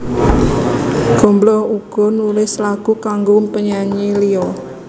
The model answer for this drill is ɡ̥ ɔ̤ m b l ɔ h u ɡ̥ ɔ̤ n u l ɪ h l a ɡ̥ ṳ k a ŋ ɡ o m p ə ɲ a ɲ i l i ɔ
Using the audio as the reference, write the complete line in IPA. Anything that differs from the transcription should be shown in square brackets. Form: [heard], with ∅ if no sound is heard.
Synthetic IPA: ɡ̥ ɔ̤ m b l ɔ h u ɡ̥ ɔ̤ n u l ɪ [s] l a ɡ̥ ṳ k a ŋ ɡ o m p ə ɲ a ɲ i l i ɔ